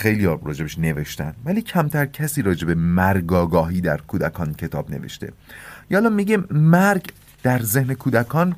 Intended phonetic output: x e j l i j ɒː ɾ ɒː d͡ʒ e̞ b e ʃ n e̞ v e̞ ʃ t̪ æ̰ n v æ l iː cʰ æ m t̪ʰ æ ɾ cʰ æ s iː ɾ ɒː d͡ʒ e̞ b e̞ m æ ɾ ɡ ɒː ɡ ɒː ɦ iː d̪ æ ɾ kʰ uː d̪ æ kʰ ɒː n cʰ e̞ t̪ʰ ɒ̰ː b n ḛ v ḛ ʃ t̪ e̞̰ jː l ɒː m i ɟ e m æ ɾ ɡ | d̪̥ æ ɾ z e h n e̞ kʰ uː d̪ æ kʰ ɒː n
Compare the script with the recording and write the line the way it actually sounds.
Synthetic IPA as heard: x e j l i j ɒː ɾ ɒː d͡ʒ e̞ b e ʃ n e̞ v e̞ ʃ t̪ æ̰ n v æ l iː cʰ æ m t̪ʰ æ ɾ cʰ æ s iː ɾ ɒː d͡ʒ e̞ b e̞ m æ ɾ ɡ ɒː ɡ ɒː ɦ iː d̪ æ ɾ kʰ uː d̪ æ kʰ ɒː n cʰ e̞ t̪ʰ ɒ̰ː b n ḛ v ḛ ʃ t̪ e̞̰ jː l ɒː m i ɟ e m æ ɾ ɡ | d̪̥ æ ɾ z e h n e̞ kʰ uː d̪ æ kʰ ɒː n